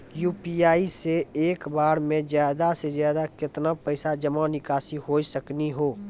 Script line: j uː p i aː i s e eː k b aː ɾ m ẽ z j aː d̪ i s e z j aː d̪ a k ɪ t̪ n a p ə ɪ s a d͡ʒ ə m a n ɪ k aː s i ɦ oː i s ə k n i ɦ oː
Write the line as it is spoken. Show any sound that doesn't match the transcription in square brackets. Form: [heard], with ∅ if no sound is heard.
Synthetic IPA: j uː p i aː i s e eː k b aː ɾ m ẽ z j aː d̪ [a] s e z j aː d̪ a k ɪ t̪ n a p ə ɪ s a d͡ʒ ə m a n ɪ k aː s i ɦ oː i s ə k n i ɦ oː